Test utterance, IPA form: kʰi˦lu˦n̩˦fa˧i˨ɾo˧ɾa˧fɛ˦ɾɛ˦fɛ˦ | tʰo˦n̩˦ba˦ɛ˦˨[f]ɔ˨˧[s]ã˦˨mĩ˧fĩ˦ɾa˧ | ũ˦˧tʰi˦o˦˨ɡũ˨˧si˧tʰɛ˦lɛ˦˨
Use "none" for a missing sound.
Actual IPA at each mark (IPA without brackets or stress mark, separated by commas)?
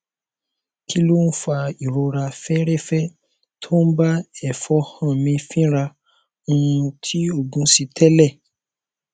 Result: f, h